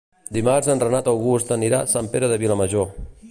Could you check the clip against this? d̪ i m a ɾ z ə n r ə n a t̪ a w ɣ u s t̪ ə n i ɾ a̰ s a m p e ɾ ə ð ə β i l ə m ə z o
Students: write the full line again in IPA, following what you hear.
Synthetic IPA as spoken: d̪ i m a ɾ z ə n r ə n a t̪ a w ɣ u s t̪ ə n i ɾ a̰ s a m p e ɾ ə ð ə β i l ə m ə ʒ o